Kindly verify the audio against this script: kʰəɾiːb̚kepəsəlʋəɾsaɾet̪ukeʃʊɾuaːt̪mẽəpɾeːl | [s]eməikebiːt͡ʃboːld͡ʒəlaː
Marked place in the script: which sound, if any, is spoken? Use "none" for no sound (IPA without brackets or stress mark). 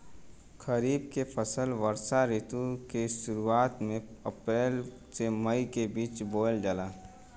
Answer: s